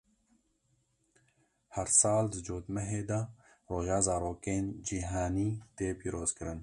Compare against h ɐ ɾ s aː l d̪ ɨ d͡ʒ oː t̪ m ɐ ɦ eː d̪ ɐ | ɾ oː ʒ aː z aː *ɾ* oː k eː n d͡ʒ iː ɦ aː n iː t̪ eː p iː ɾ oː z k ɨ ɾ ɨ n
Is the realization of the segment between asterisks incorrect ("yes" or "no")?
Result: no